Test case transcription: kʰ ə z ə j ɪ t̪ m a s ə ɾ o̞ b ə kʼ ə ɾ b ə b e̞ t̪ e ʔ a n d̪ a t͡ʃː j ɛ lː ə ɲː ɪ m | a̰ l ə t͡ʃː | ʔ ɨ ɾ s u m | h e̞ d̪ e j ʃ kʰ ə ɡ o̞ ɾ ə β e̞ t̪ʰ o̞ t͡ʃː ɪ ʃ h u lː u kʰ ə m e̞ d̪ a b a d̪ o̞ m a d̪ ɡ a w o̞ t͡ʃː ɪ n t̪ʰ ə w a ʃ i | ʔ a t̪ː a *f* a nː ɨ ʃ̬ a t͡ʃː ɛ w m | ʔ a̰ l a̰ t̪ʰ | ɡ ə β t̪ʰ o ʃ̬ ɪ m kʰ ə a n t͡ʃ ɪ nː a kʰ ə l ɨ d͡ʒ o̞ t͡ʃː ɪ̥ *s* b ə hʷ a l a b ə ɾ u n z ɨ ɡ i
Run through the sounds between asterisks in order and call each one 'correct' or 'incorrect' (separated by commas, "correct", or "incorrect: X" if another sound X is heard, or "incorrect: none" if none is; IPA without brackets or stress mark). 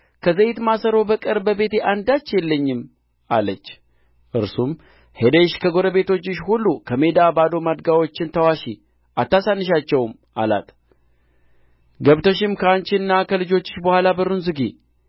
incorrect: s, incorrect: ʃ